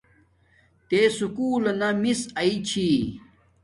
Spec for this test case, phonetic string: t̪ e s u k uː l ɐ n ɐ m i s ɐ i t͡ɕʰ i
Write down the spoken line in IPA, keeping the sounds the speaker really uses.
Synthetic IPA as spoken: t̪ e s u k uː l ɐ n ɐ m i s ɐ i t͡ɕʰ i